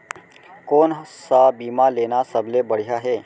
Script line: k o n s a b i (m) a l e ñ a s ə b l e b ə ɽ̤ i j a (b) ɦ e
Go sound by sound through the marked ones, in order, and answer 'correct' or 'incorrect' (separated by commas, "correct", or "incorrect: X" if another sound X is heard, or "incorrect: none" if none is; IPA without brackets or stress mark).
correct, incorrect: none